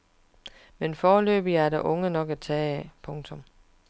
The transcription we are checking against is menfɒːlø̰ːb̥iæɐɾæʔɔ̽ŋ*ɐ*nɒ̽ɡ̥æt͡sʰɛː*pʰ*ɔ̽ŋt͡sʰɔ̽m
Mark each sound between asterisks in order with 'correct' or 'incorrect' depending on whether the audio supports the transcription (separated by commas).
incorrect, correct